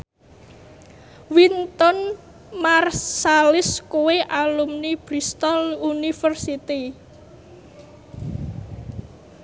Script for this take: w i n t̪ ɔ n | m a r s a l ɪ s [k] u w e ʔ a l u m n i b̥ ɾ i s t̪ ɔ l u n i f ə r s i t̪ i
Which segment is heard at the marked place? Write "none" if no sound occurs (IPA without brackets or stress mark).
k